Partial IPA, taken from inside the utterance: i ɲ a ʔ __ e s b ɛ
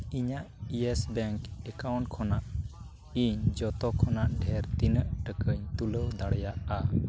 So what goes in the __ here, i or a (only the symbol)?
i